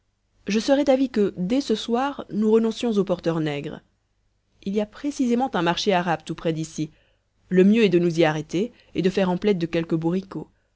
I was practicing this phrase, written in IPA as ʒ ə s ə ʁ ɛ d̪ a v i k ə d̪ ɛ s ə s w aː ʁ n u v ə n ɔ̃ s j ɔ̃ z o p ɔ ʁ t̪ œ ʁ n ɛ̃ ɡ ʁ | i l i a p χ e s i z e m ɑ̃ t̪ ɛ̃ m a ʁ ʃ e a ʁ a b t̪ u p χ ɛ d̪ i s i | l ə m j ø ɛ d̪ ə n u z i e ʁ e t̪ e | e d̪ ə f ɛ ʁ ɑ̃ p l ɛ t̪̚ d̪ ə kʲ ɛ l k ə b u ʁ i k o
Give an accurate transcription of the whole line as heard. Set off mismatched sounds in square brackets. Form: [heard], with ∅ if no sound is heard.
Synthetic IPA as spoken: ʒ ə s ə ʁ ɛ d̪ a v i k ə d̪ ɛ s ə s w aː ʁ n u [ʁ] ə n ɔ̃ s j ɔ̃ z o p ɔ ʁ t̪ œ ʁ n [ɛ] ɡ ʁ | i l i a p χ e s i z e m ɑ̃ t̪ ɛ̃ m a ʁ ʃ e a ʁ a b t̪ u p χ ɛ d̪ i s i | l ə m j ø ɛ d̪ ə n u z i [a] ʁ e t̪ e | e d̪ ə f ɛ ʁ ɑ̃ p l ɛ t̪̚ d̪ ə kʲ ɛ l k ə b u ʁ i k o